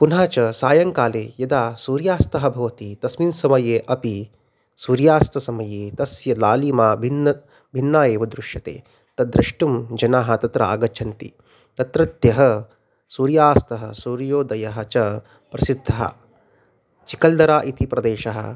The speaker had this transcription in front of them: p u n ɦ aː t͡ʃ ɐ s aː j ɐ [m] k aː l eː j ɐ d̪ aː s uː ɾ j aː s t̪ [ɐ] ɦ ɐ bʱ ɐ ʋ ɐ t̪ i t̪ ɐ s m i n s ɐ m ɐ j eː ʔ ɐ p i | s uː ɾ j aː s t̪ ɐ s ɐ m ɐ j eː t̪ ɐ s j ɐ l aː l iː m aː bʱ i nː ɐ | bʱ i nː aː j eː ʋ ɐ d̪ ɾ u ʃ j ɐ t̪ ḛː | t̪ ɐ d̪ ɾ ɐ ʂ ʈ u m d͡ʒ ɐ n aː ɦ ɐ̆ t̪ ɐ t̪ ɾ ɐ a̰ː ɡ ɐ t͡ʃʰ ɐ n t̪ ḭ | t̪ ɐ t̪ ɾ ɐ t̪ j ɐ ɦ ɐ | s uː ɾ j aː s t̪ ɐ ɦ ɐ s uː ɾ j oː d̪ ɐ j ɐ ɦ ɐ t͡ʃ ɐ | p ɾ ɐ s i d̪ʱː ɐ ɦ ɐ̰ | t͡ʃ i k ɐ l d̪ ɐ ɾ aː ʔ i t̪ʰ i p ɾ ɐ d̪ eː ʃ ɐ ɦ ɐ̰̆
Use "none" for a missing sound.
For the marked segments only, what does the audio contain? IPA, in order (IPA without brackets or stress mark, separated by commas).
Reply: ŋ, ɐ